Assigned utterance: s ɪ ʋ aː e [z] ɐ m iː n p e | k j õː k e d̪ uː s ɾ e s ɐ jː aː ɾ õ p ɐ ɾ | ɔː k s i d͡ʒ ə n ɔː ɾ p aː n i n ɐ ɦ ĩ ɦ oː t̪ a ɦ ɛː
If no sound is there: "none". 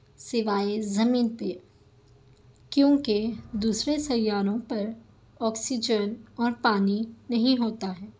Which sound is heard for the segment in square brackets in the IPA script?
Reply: z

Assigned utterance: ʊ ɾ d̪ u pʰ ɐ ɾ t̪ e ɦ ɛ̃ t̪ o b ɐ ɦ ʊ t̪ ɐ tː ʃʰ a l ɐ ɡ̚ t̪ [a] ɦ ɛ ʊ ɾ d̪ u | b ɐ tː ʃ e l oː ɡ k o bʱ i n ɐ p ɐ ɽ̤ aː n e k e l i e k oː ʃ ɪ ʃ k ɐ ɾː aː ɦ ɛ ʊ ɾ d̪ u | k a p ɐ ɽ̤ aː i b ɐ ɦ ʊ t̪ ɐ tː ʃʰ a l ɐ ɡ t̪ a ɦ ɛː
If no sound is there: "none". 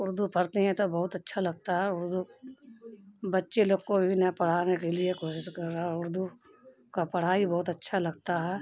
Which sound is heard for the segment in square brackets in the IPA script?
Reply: a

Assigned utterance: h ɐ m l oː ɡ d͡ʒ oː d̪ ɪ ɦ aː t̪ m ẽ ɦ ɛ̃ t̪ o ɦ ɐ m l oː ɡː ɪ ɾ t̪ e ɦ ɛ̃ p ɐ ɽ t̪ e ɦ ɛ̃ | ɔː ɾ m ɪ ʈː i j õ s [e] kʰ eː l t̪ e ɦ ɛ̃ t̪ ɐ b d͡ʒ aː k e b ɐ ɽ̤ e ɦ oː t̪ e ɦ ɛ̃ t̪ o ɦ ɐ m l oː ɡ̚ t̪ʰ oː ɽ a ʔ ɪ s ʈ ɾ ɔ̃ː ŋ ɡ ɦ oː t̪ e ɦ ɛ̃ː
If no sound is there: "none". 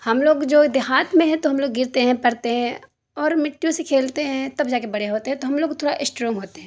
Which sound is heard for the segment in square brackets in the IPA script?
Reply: e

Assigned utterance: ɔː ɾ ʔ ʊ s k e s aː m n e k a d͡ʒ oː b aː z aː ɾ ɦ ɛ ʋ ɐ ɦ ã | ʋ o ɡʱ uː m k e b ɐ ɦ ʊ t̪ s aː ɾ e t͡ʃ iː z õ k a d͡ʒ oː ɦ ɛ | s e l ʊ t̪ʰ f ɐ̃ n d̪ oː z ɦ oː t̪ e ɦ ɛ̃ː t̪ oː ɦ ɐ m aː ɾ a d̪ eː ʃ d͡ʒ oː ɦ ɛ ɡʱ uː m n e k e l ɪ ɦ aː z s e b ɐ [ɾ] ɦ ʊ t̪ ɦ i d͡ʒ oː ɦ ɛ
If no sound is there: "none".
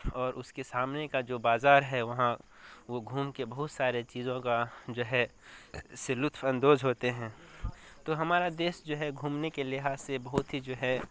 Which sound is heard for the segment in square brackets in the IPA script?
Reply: none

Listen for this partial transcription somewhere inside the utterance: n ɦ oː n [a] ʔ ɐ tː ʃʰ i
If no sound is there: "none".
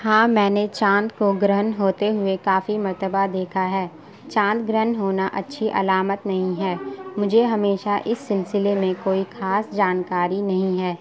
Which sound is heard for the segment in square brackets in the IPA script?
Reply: a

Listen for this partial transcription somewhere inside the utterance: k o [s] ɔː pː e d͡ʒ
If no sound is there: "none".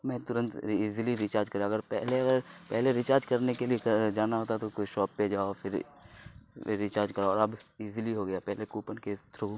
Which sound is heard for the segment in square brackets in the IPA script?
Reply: ʃ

